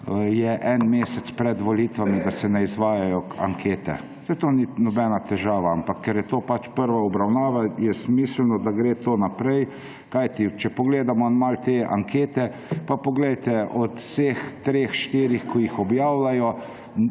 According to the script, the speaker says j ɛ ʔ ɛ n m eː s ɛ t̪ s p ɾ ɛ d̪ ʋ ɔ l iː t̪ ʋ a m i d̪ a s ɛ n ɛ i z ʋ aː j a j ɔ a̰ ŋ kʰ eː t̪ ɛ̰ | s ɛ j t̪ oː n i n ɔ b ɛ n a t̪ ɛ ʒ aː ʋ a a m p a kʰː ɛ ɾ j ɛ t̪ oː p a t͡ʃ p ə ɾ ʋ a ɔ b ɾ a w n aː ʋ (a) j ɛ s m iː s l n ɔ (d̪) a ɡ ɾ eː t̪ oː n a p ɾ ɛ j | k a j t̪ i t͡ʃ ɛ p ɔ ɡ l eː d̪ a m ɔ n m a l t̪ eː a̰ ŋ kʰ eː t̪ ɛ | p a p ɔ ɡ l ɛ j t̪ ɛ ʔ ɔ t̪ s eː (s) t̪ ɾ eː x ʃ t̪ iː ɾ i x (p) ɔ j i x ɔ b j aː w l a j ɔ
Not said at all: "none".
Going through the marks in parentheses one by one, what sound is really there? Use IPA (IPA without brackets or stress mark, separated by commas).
a, d̪, x, k